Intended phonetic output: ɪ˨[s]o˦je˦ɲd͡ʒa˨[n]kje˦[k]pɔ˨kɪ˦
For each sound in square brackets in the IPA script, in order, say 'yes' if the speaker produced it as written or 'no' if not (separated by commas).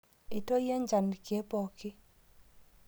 no, yes, no